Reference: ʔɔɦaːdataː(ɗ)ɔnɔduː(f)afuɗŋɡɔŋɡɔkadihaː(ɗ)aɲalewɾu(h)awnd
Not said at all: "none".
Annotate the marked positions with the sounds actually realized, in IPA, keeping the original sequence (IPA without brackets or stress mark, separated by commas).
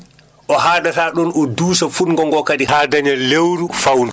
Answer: ɗ, s, d, f